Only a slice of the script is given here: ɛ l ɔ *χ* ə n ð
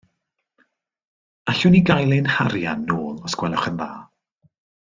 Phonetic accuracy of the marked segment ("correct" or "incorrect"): correct